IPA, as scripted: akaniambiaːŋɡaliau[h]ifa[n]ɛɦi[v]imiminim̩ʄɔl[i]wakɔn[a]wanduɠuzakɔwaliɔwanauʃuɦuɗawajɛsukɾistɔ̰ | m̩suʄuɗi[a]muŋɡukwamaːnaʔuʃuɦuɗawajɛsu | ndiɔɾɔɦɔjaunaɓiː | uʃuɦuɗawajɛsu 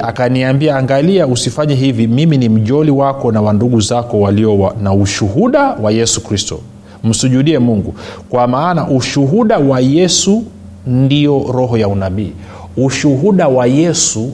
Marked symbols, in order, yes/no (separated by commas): no, no, yes, yes, yes, no